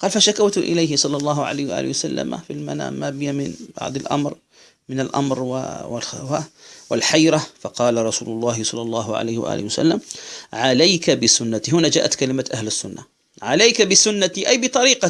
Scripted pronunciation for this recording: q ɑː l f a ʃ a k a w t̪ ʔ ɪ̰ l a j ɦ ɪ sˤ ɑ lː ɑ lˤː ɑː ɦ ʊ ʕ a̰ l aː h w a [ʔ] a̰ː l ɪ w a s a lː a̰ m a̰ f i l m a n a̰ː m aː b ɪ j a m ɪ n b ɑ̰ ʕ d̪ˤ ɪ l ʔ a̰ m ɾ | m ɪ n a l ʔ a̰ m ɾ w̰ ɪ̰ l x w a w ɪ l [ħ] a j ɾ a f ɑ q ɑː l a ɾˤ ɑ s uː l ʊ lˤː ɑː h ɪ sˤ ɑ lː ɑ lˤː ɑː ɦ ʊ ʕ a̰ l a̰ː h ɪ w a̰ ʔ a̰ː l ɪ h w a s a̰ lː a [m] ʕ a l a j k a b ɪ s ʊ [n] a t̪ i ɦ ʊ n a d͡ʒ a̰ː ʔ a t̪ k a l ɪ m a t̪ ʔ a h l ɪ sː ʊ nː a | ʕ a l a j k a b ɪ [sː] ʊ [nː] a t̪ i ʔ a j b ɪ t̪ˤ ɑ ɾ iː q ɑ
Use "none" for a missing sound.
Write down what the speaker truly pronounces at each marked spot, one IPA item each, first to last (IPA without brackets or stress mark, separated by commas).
ʔ, ħ, m, nː, s, nː